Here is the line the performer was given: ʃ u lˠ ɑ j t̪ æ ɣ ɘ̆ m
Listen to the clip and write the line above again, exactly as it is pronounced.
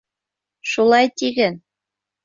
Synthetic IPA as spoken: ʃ u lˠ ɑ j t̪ i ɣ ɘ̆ n